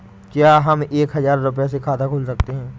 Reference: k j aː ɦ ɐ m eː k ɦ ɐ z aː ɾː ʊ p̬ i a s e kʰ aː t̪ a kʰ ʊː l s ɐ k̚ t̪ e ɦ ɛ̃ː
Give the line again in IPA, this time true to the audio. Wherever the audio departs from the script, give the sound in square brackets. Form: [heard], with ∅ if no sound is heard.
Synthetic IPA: k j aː ɦ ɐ m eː k ɦ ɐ z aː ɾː ʊ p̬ [j] a s e kʰ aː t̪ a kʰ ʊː l s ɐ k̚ t̪ e ɦ ɛ̃ː